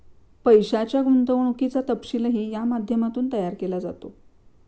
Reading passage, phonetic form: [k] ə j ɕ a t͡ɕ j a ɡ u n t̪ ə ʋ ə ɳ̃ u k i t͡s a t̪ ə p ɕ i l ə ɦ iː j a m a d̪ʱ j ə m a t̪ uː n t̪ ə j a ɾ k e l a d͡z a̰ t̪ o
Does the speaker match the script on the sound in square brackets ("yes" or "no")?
no